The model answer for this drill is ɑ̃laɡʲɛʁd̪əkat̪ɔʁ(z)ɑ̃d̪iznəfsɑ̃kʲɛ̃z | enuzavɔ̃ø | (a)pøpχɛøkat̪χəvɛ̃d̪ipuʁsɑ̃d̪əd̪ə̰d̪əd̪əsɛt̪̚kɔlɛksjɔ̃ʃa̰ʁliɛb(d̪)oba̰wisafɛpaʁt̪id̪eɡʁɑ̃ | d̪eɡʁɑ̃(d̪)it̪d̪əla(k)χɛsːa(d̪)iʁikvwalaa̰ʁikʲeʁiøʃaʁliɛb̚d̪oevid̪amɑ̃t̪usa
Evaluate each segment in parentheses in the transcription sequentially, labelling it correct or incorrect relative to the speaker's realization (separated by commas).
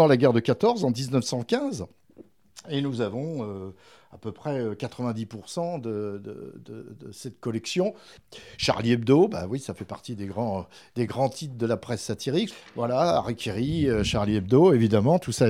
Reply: correct, correct, correct, incorrect, incorrect, incorrect